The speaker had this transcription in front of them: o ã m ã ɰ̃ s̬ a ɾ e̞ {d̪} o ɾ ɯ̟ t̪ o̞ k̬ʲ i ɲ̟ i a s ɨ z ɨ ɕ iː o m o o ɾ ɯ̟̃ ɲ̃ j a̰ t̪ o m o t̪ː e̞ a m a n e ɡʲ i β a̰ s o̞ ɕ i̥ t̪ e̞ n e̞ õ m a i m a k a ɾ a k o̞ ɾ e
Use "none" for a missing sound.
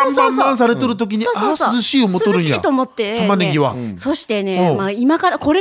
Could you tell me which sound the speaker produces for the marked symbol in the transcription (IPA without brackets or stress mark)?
t̪